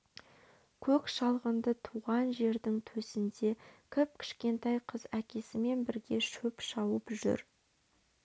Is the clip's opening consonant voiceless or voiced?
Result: voiceless